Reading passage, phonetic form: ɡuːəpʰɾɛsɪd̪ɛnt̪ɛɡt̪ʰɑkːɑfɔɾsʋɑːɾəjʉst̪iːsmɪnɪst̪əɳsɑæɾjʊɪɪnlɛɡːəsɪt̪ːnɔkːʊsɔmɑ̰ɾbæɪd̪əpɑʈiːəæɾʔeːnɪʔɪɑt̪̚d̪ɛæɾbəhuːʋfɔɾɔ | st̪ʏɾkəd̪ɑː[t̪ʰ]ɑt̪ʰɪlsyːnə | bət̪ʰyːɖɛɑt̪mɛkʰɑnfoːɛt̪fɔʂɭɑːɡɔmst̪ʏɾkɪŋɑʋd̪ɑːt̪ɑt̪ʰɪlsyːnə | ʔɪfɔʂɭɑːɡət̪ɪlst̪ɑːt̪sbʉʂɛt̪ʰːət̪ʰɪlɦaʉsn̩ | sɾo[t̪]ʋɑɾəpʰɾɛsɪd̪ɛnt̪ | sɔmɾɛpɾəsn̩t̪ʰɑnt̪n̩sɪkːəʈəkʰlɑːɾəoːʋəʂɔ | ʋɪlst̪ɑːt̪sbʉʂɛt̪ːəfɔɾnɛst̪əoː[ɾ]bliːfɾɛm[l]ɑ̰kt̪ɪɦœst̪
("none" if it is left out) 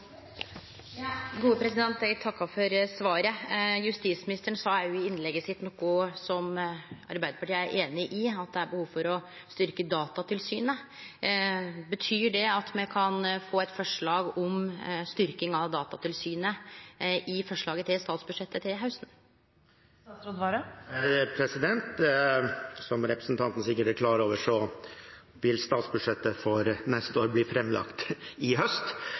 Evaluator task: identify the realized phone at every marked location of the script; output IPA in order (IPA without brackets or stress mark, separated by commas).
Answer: t̪, d̪, ɾ, l